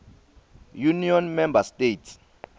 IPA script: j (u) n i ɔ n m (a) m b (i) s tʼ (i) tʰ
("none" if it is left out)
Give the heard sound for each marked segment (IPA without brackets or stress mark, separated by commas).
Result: u, ɛ, a, e